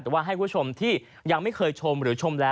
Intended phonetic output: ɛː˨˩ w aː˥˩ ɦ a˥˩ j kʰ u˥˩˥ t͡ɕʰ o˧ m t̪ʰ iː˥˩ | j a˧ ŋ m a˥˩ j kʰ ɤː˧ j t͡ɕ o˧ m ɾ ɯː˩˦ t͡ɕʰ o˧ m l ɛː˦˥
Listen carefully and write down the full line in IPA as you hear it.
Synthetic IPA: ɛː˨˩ w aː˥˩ ɦ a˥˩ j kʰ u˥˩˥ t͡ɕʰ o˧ m t̪ʰ iː˥˩ | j a˧ ŋ m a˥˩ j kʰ ɤː˧ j t͡ɕʰ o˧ m ɾ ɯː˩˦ t͡ɕʰ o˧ m l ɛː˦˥